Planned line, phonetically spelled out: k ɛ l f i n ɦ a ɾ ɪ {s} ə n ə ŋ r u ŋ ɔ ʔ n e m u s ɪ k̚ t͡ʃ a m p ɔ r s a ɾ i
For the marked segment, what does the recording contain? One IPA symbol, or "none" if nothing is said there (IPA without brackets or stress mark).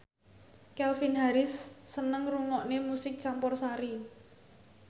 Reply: sː